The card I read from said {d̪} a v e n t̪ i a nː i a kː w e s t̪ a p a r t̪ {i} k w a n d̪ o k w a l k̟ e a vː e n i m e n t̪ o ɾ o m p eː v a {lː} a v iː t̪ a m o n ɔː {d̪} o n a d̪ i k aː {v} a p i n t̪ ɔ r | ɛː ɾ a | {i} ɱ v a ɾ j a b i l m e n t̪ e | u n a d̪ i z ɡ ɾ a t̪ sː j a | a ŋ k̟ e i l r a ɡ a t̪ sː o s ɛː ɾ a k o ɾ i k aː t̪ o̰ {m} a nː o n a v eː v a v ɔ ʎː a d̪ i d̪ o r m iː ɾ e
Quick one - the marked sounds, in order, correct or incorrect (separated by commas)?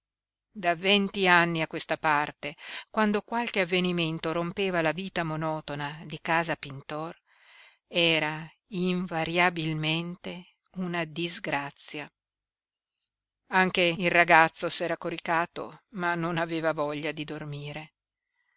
correct, incorrect, incorrect, incorrect, incorrect, correct, correct